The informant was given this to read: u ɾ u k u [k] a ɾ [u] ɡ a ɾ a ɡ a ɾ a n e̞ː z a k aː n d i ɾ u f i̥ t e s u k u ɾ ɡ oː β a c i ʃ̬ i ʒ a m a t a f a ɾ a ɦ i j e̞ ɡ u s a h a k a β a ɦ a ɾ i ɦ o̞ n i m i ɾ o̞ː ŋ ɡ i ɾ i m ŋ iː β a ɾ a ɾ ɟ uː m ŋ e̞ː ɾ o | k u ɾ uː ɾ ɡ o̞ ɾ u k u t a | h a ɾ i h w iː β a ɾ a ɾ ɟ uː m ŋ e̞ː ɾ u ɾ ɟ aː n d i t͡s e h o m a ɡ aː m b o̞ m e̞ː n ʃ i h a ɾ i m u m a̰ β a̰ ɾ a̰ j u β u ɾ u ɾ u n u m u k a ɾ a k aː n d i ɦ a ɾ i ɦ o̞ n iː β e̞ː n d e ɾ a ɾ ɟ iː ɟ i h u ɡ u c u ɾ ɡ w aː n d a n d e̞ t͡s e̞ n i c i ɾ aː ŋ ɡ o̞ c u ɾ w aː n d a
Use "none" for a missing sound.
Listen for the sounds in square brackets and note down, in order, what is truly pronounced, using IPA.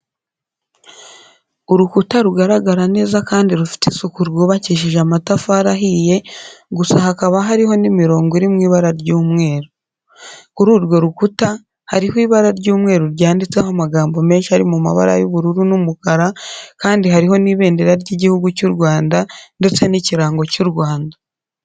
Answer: t, u

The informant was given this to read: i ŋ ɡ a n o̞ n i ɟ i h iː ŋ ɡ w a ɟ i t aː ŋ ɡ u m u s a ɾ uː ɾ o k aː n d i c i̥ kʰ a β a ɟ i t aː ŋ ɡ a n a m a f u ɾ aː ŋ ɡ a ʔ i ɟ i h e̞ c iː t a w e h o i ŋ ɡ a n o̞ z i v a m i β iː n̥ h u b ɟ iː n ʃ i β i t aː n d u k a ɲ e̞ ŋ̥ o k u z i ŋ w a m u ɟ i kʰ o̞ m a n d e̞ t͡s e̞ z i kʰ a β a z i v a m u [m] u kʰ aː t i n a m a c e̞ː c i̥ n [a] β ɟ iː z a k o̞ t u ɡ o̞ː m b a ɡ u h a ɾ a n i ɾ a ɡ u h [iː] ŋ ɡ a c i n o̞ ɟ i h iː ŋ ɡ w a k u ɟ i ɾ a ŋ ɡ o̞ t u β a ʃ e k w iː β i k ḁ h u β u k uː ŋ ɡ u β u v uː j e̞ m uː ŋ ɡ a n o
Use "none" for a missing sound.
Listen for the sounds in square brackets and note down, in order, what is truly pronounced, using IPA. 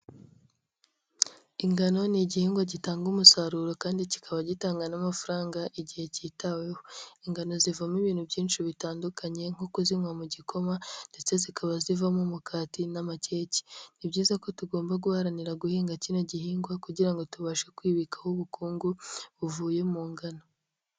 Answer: m, i, iː

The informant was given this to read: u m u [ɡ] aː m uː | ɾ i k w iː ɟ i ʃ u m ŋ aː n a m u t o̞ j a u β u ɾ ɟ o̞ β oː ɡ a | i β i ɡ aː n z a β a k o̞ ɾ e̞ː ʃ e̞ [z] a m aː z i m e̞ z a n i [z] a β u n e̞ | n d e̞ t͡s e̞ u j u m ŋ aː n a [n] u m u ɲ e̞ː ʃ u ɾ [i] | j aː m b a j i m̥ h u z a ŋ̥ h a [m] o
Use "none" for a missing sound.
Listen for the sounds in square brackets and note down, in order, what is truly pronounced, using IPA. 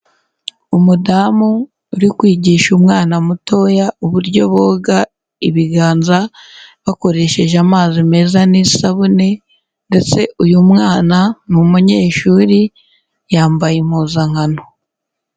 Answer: d, ʒ, s, n, i, n

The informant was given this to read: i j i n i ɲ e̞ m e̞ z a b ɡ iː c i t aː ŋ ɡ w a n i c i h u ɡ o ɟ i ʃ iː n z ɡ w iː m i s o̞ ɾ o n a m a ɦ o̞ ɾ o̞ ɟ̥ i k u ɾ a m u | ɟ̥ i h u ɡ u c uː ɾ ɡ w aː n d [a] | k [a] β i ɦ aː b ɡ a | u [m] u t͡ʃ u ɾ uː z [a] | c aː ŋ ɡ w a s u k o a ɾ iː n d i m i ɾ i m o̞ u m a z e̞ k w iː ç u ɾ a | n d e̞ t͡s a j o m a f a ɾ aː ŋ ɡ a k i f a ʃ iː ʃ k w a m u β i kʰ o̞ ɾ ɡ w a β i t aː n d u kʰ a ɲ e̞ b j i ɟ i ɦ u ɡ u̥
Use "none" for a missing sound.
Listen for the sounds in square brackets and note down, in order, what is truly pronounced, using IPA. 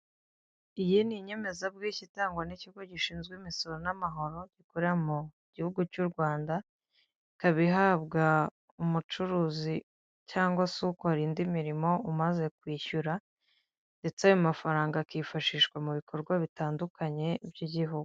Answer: a, a, m, i

